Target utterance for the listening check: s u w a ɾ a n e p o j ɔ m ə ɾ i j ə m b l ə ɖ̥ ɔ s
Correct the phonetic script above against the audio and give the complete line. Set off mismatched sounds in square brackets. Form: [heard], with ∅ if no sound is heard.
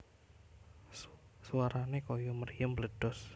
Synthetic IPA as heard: s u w a ɾ a n e [k] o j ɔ m ə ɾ i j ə m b l ə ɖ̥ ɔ s